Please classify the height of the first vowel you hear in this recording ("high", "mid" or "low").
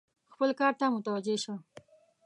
mid